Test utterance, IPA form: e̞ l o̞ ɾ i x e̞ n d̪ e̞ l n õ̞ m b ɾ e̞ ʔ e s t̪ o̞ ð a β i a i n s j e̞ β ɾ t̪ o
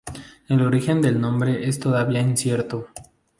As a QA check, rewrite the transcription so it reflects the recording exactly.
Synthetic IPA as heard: e̞ l o̞ ɾ i x e̞ n d̪ e̞ l n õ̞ m b ɾ e̞ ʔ e s t̪ o̞ ð a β i a i n s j e̞ ɾ t̪ o